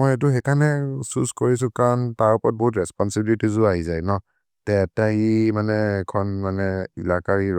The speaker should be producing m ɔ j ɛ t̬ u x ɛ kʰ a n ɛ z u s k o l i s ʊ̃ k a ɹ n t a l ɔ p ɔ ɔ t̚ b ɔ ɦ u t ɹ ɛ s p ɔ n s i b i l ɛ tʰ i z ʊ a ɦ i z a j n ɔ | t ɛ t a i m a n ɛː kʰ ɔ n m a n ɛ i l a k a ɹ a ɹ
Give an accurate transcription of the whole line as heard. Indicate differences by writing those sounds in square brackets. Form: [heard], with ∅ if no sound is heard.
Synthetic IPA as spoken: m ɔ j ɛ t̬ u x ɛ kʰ a n ɛ [s] u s k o [ɹ] i s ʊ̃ k a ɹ n t a [ɹ] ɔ p ɔ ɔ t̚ b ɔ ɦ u t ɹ ɛ s p ɔ n s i b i l [i] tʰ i z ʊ a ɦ i z a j n ɔ | t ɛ t a i m a n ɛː kʰ ɔ n m a n ɛ i l a k a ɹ [i] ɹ